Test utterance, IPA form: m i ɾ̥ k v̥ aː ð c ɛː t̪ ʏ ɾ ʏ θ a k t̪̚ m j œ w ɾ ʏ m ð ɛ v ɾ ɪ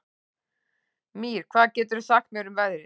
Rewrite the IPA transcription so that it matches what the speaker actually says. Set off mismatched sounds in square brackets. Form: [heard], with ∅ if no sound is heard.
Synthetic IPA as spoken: m i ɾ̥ [kʰ] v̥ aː ð c ɛː t̪ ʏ ɾ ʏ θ a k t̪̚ m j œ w ɾ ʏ m [v] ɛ [ð] ɾ ɪ

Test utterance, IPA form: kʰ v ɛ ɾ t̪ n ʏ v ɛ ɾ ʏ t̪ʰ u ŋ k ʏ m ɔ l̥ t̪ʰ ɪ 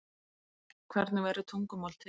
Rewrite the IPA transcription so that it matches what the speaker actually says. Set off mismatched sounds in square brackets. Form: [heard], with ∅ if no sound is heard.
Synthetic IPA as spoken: kʰ v ɛ ɾ t̪ n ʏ v ɛ ɾ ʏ t̪ʰ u ŋ k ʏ m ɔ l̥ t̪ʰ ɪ

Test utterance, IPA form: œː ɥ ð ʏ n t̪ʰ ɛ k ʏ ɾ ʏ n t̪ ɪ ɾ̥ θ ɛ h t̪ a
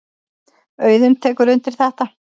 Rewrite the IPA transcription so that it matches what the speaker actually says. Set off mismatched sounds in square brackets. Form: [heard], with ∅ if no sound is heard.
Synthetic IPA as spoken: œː ɥ ð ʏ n t̪ʰ [ɛː] k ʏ ɾ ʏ n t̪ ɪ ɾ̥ θ ɛ h t̪ a

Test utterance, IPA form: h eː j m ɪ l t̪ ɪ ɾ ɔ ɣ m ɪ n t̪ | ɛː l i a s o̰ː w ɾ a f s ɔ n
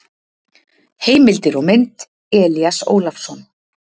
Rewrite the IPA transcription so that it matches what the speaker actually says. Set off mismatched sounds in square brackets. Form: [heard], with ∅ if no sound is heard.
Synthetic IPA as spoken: h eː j m ɪ l t̪ ɪ ɾ ɔ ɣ m ɪ n t̪ | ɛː l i a s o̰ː w [l] a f s ɔ n

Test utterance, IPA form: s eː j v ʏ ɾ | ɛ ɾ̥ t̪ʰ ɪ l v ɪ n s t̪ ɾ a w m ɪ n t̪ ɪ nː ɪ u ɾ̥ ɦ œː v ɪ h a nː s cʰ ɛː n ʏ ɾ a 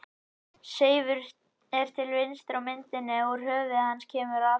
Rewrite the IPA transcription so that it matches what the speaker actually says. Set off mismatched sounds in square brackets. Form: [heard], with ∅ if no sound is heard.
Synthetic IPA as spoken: s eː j v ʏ ɾ | ɛ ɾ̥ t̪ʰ ɪ l v ɪ n s t̪ ɾ a w m ɪ n t̪ ɪ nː ɪ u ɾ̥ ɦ œː v ɪ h a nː s cʰ ɛː [m] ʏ ɾ a

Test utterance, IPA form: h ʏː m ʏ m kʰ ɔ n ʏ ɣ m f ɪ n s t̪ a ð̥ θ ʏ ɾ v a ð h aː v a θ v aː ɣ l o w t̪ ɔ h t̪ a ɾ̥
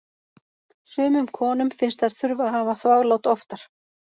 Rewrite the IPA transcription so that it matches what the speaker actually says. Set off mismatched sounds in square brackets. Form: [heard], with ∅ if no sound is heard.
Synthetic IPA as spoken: [s] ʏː m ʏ m kʰ [ɔː] n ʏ [∅] m f ɪ n s t̪ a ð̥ θ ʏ ɾ v a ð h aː v a θ v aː ɣ l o w t̪ ɔ [f] t̪ a ɾ̥

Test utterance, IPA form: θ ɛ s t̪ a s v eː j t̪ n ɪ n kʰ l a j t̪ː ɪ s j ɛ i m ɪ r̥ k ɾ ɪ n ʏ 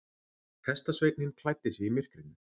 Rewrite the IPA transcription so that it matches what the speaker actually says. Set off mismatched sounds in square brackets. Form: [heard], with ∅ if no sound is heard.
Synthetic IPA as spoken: [h] ɛ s t̪ a s v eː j t̪ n ɪ n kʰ l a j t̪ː ɪ s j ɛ i m ɪ r̥ k ɾ ɪ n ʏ

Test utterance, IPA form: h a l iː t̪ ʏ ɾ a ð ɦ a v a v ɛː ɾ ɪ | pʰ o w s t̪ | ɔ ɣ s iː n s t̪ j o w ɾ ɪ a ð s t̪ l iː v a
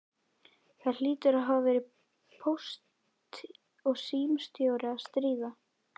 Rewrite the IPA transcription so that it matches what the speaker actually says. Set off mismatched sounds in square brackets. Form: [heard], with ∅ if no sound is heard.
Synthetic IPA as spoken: [θ] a l iː t̪ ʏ ɾ a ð ɦ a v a v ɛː ɾ ɪ | pʰ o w s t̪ | ɔ ɣ s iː [m] s t̪ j o w ɾ ɪ a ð s t̪ [ɾ] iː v a

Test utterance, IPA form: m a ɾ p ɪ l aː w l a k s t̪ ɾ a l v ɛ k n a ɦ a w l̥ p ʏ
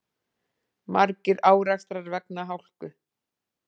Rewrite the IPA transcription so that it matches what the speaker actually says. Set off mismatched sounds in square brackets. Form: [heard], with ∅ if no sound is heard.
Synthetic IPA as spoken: m a ɾ [c] ɪ [ɾ] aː w [ɾ] a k s t̪ ɾ a [ɾ] v ɛ k n a ɦ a w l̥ [k] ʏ

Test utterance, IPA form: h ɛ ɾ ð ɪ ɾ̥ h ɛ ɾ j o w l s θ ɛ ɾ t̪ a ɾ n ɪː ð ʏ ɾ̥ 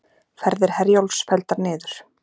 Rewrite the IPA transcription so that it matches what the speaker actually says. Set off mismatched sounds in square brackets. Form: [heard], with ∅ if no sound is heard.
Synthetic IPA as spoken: [f] ɛ ɾ ð ɪ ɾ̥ h ɛ ɾ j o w l s [f] ɛ [l] t̪ a ɾ n ɪː ð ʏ ɾ̥

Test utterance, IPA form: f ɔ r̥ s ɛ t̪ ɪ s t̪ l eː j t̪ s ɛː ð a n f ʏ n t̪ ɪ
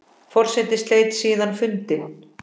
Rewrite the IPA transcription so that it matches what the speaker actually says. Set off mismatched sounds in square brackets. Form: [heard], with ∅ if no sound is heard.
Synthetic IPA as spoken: f ɔ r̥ s ɛ t̪ ɪ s t̪ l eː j t̪ s [iː] ð a n f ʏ n t̪ ɪ

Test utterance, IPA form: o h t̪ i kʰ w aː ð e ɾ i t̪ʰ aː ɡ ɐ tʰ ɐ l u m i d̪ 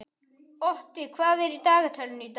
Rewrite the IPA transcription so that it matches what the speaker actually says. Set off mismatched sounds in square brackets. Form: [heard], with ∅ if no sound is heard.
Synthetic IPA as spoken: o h t̪ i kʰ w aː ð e ɾ i [t̪] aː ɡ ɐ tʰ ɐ l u [n] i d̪

